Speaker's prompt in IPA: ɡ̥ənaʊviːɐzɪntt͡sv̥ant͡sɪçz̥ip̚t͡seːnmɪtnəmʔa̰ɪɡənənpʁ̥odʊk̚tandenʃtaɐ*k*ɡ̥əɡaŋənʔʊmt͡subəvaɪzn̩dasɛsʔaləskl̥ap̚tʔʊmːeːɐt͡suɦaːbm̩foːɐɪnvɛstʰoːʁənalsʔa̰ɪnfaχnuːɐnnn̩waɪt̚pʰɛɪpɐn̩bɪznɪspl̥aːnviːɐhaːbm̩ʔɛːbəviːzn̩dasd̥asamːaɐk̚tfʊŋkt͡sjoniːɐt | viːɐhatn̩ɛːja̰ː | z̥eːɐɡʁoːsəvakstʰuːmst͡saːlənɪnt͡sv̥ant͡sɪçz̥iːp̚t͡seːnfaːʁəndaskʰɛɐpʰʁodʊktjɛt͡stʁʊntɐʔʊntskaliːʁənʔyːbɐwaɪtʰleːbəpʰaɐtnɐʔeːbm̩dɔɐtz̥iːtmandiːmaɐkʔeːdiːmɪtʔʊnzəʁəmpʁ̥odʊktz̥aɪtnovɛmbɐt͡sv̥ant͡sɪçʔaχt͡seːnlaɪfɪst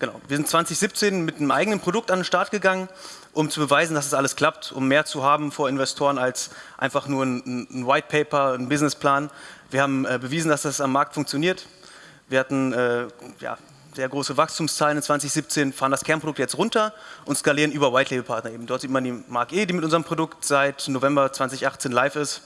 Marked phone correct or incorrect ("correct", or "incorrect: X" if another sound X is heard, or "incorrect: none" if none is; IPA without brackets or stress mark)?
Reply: incorrect: t